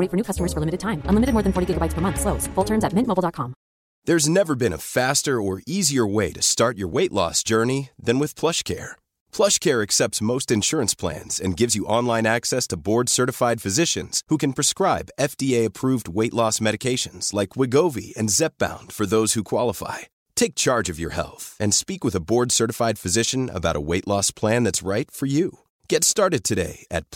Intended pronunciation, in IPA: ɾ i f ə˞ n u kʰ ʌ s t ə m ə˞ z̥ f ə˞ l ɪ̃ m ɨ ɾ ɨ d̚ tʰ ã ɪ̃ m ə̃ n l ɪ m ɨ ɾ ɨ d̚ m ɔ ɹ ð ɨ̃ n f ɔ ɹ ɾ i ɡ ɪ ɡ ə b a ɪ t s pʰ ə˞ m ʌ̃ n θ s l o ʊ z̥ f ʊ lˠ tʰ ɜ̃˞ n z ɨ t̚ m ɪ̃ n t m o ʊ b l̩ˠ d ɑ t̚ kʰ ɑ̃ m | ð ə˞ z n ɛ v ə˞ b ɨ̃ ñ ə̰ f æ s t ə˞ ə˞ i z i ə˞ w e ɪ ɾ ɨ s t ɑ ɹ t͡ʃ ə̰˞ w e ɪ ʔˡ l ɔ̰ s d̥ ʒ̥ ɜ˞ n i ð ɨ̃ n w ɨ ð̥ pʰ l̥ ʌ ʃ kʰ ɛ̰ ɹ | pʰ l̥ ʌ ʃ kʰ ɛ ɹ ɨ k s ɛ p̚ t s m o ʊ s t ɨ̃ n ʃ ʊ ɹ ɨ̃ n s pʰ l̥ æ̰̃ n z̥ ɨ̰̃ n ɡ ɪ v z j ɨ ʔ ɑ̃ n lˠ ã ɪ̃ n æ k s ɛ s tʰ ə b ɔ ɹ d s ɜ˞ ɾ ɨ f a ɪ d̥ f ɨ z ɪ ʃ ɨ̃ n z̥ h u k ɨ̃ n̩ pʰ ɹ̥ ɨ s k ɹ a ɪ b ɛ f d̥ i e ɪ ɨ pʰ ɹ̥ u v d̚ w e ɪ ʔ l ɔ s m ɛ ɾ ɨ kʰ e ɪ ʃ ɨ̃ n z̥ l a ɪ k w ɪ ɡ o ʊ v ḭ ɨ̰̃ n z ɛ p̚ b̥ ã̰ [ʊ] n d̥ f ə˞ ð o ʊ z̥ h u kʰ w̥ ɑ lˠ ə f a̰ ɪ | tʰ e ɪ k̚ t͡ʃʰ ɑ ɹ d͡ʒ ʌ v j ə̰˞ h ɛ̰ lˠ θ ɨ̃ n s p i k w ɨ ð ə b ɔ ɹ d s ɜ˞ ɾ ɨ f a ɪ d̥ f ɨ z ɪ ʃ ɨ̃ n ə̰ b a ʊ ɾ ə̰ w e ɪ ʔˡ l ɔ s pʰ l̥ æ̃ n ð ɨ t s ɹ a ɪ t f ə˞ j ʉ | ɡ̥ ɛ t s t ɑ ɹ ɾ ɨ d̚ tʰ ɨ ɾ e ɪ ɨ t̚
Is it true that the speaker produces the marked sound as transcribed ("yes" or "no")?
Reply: no